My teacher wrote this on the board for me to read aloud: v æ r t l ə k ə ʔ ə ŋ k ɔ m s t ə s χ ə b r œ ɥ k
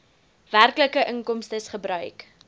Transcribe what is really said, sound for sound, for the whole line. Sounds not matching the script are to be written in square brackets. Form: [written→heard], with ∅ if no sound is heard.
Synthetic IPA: v æ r [t→k] l ə k ə ʔ ə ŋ k ɔ m s t ə s χ ə b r œ ɥ k